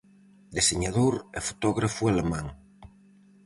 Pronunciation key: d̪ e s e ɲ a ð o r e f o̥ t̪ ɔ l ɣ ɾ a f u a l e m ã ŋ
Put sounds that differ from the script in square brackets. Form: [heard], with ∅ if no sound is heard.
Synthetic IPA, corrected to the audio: d̪ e s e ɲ a ð o [ɾ] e f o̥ t̪ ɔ [∅] ɣ ɾ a f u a l e m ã ŋ